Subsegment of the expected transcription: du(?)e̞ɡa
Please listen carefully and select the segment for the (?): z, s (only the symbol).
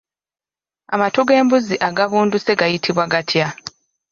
s